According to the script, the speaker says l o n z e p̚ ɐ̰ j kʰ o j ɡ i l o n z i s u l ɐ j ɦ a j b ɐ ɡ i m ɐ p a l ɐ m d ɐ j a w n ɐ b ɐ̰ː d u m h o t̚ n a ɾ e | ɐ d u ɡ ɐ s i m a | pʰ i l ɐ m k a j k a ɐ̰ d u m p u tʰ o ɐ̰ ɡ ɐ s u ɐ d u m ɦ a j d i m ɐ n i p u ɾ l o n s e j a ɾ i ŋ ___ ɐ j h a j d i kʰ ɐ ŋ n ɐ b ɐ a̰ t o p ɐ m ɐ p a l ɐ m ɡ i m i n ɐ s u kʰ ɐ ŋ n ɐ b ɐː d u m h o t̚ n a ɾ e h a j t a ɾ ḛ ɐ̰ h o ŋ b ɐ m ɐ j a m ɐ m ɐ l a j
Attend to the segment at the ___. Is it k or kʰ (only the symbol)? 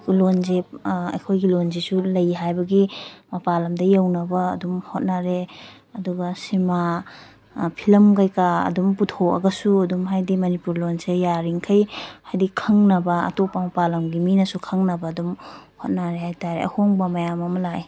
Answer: kʰ